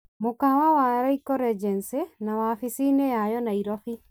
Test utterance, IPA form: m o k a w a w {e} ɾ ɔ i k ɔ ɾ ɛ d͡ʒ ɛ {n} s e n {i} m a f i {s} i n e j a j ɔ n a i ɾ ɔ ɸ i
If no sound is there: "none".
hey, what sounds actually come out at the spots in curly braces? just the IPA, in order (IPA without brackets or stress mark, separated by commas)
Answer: a, n, a, s